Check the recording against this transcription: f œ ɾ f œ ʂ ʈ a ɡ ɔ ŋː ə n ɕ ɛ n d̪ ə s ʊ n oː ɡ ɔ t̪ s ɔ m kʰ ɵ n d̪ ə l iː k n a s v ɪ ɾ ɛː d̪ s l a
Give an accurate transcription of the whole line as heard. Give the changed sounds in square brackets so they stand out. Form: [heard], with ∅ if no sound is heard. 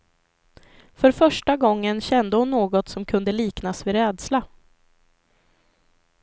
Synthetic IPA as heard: f œ ɾ f œ ʂ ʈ a ɡ ɔ ŋː ə n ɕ ɛ n d̪ ə [h] ʊ [nː] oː ɡ ɔ t̪ s ɔ m kʰ ɵ n d̪ ə l iː k n a s v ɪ ɾ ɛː d̪ s l a